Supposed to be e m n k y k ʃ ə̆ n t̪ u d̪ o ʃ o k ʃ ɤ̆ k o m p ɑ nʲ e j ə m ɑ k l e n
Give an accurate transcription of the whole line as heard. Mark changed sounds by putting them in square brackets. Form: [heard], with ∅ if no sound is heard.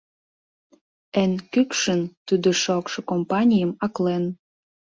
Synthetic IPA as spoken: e [∅] n k y k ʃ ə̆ n t̪ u d̪ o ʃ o k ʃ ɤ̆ k o m p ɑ nʲ [i] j ə m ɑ k l e n